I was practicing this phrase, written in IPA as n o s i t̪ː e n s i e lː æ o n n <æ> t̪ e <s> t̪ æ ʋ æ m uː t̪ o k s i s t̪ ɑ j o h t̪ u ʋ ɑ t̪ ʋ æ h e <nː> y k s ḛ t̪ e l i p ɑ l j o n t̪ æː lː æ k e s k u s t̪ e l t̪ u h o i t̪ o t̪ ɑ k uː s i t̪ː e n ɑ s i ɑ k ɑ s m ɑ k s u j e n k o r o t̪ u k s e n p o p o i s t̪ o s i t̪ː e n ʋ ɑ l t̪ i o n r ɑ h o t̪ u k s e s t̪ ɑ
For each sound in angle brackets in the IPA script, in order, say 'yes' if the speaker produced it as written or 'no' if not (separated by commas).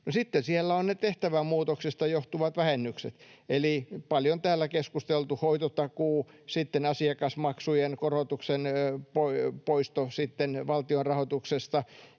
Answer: no, no, yes